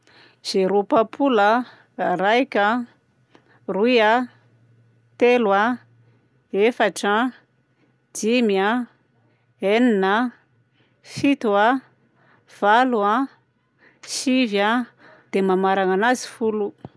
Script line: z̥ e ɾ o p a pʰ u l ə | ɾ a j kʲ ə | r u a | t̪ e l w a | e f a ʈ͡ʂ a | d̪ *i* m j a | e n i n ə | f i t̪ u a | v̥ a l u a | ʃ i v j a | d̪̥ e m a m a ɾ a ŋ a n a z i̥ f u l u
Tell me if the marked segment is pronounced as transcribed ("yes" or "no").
yes